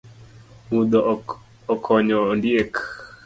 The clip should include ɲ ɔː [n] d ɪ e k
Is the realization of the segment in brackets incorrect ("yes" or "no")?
no